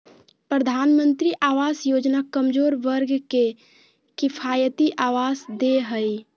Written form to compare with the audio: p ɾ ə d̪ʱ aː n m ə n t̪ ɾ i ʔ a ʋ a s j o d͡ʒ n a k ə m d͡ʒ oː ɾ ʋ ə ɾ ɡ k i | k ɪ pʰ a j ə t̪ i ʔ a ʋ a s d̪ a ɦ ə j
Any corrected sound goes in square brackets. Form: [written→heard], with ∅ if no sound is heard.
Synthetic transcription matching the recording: p ɾ ə d̪ʱ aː n m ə n t̪ ɾ i ʔ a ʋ a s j o d͡ʒ n a k ə m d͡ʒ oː ɾ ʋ ə ɾ ɡ k [i→e] | k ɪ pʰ a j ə t̪ i ʔ a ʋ a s d̪ [a→e] ɦ ə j